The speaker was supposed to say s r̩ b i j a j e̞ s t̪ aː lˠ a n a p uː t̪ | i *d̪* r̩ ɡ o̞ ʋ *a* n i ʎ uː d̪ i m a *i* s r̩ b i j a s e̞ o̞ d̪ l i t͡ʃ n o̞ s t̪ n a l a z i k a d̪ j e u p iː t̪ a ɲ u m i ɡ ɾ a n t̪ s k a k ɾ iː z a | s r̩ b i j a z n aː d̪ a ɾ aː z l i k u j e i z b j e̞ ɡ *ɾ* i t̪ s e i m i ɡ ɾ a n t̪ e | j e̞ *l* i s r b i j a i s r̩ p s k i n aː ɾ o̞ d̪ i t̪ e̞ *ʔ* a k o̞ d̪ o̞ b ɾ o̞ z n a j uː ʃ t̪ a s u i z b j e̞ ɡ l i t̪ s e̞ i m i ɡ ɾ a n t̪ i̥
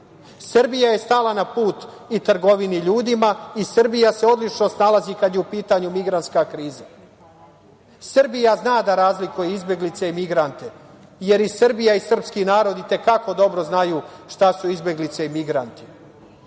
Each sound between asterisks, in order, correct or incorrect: incorrect, incorrect, correct, incorrect, incorrect, incorrect

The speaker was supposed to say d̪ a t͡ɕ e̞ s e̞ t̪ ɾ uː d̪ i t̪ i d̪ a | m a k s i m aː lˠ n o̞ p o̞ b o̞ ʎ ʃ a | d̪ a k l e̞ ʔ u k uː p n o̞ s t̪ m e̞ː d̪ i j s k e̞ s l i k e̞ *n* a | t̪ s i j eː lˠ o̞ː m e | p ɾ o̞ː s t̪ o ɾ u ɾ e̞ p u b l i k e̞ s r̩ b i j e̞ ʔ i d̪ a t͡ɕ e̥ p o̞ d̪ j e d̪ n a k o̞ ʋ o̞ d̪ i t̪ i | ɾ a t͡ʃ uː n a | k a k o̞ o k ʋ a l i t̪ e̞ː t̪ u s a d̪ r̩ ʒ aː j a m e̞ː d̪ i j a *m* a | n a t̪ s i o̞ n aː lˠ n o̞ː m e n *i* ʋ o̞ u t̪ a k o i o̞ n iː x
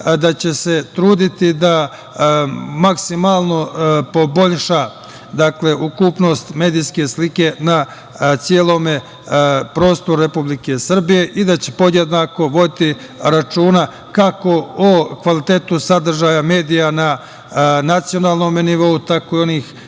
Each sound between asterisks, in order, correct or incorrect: correct, incorrect, correct

